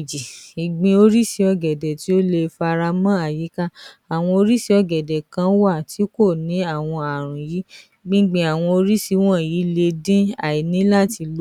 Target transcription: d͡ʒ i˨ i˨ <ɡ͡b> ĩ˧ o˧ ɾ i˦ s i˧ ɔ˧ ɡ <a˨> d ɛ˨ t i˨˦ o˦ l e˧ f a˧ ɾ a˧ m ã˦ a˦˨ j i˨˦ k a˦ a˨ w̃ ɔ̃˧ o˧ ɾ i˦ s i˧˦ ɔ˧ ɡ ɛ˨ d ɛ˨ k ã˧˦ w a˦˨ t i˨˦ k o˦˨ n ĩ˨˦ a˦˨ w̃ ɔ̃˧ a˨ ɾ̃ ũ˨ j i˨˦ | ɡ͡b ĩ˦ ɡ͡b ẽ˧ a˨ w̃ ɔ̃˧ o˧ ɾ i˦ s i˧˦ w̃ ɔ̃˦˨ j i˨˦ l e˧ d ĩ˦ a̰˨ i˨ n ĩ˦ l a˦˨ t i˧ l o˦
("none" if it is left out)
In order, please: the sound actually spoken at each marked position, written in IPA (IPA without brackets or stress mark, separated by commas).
ɡ͡b, ɛ˨